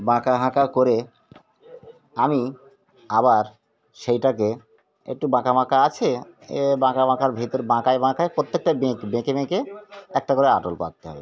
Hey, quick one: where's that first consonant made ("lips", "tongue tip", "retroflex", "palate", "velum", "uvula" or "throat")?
lips